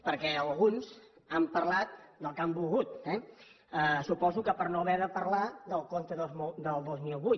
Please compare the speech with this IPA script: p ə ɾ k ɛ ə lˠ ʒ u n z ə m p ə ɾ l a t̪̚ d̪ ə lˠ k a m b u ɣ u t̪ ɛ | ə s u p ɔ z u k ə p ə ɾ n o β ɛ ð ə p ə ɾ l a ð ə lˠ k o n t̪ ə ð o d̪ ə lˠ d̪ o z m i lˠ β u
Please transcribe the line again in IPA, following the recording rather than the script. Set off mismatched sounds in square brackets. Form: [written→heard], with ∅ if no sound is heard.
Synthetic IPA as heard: p ə ɾ k ɛ ə lˠ [ʒ→ɣ] u n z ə m p ə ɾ l a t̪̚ d̪ ə lˠ k a m b u ɣ u t̪ ɛ | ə s u p ɔ z u k ə p ə ɾ n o β ɛ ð ə p ə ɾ l a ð ə lˠ k o n t̪ ə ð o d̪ ə lˠ d̪ o z m i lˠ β u